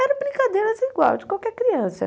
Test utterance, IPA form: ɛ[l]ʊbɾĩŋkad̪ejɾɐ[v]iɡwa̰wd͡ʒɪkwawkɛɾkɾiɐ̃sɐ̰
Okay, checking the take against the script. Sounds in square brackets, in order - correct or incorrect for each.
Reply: incorrect, incorrect

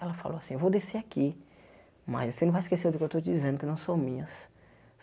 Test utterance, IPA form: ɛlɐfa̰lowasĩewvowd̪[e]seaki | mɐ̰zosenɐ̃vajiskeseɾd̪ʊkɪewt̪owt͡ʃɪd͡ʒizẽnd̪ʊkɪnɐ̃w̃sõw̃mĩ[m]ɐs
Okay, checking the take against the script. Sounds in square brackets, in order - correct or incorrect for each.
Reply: correct, incorrect

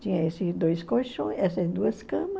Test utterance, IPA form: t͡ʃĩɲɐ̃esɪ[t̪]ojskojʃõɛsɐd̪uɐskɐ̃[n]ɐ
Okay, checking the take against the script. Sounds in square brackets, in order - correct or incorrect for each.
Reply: incorrect, incorrect

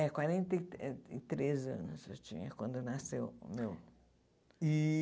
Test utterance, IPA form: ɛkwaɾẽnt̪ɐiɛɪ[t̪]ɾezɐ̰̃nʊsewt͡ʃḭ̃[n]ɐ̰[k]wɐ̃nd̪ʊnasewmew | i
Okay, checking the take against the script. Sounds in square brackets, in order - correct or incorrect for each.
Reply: correct, incorrect, correct

